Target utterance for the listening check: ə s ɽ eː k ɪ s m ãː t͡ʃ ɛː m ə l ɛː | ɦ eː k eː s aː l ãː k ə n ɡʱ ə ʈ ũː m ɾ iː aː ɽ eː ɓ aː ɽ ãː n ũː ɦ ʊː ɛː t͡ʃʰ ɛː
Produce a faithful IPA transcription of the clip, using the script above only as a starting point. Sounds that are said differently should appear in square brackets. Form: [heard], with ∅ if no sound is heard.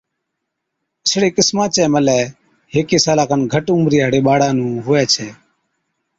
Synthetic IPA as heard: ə s ɽ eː k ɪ s m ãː t͡ʃ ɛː m ə l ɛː | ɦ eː k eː s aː l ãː k ə n ɡʱ ə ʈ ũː m ɾ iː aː ɽ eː ɓ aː ɽ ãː n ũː ɦ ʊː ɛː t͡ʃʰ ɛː